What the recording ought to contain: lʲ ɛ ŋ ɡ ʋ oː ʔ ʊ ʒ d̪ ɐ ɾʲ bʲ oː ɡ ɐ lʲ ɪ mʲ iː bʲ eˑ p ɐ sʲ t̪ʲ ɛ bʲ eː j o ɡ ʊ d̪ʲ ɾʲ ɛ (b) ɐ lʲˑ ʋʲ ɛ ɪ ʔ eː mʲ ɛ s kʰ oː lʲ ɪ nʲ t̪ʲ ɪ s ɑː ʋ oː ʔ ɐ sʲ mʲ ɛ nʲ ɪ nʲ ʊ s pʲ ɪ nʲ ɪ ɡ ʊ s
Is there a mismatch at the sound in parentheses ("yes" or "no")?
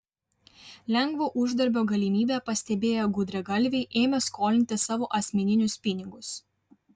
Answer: yes